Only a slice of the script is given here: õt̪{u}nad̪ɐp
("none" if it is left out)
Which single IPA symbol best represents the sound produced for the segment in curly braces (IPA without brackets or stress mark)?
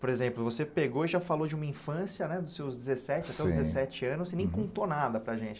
o